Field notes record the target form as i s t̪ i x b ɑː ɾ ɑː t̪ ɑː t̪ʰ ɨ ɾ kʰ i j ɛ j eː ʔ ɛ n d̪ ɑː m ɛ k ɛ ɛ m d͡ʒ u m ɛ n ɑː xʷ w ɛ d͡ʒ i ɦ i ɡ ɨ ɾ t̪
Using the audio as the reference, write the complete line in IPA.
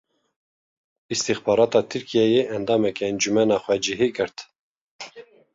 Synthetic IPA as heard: i s t̪ i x b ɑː ɾ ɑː t̪ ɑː t̪ʰ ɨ ɾ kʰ i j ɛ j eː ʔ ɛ n d̪ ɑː m ɛ k ɛ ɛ n d͡ʒ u m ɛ n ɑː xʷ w ɛ d͡ʒ i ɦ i ɡ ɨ ɾ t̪